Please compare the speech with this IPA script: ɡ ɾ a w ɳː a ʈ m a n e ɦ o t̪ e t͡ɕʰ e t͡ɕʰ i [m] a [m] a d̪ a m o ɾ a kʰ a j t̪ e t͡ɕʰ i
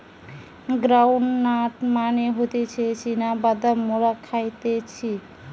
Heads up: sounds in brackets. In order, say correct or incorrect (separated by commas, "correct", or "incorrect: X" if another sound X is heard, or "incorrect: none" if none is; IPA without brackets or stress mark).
incorrect: n, incorrect: b